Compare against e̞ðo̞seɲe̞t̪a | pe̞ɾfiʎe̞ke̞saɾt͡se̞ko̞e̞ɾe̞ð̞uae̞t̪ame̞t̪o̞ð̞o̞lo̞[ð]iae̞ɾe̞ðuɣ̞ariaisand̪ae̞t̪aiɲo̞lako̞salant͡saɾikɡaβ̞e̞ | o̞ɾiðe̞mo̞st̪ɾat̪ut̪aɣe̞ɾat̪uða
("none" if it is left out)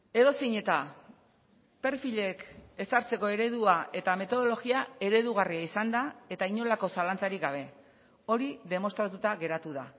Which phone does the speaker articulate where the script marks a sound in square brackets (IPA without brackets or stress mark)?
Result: ɣ